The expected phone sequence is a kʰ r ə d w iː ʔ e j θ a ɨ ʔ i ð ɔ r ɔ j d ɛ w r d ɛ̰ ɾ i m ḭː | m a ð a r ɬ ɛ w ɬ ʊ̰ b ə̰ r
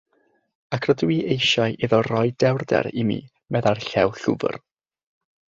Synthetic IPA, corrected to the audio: a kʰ r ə d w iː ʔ e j ʃ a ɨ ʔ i ð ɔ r ɔ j d ɛ w r d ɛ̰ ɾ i m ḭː | m ɛ ð a r ɬ ɛ w ɬ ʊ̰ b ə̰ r